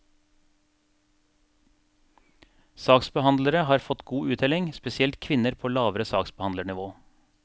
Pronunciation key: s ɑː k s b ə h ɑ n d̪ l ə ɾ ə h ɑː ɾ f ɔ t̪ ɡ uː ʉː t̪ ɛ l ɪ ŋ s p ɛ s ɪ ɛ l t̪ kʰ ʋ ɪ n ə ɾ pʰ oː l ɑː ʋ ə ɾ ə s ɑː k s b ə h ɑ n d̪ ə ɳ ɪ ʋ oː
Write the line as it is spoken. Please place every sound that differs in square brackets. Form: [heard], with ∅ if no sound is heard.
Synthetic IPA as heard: s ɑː k s b ə h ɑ n d̪ l ə ɾ ə h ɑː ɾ f ɔ t̪ ɡ uː ʉː t̪ ɛ l ɪ ŋ s p ɛ s ɪ ɛ l t̪ kʰ ʋ ɪ n ə ɾ pʰ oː l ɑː ʋ ə ɾ ə s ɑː k s b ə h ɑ n d̪ ə ɳ ɪ ʋ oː